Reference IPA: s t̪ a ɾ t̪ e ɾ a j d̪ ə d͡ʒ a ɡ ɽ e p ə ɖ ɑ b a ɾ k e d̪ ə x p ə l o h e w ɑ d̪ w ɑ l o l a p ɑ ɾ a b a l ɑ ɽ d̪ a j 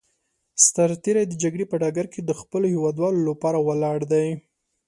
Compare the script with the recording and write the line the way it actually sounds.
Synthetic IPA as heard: s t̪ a ɾ t̪ e ɾ a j d̪ ə d͡ʒ a ɡ ɽ e p ə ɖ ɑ ɡ a ɾ k e d̪ ə x p ə l o h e w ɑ d̪ w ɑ l o l a p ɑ ɾ a w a l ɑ ɽ d̪ a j